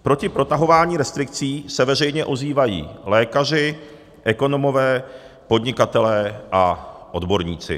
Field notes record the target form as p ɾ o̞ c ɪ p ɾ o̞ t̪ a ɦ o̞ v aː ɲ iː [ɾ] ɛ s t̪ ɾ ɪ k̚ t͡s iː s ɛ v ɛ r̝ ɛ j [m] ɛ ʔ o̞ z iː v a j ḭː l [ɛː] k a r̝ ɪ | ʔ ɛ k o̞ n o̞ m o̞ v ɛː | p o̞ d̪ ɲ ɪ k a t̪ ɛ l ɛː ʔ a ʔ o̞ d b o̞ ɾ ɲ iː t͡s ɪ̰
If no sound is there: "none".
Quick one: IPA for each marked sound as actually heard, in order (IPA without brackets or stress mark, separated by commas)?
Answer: ɾ, ɲ, ɛː